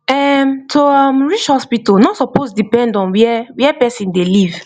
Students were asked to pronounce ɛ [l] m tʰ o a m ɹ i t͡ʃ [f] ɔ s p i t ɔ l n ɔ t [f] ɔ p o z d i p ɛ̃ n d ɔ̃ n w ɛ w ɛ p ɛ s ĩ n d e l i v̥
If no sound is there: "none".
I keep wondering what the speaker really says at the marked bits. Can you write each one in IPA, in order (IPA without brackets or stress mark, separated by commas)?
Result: none, h, s